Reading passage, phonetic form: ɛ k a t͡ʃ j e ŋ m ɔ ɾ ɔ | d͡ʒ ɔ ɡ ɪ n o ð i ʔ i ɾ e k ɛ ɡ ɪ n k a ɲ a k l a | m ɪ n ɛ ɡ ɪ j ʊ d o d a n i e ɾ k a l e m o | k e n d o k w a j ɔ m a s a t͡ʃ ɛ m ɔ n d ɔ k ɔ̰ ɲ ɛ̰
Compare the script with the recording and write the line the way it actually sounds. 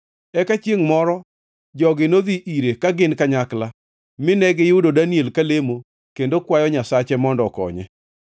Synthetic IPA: ɛ k a t͡ʃ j e ŋ m ɔ ɾ ɔ | d͡ʒ ɔ ɡ ɪ n o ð i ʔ i ɾ e k a ɡ ɪ n k a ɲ a k l a | m ɪ n ɛ ɡ ɪ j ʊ d o d a n i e l k a l e m o | k e n d o k w a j ɔ ɲ a s a t͡ʃ ɛ m ɔ n d ɔ k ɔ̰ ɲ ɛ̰